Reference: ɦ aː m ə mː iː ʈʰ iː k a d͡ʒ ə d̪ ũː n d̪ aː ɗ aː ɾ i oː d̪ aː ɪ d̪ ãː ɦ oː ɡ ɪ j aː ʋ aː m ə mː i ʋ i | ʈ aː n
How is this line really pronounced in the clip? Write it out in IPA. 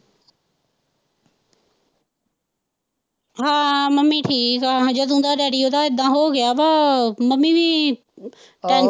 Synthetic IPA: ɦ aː m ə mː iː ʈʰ iː k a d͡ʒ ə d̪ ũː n d̪ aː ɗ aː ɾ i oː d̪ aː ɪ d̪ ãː ɦ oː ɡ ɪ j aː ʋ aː m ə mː i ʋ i | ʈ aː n